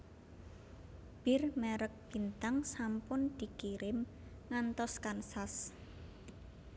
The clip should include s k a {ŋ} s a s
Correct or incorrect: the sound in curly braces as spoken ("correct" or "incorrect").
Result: incorrect